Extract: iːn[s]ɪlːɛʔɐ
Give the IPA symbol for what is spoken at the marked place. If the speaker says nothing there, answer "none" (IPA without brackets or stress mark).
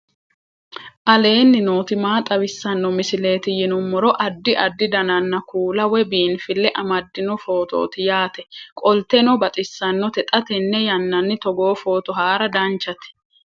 f